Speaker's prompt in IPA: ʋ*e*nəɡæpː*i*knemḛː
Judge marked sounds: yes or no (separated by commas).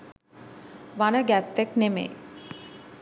no, no